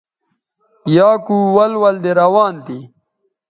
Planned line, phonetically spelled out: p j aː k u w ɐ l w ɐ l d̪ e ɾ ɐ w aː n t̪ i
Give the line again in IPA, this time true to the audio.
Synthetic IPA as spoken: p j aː k u w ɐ l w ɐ l d̪ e ɾ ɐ w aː n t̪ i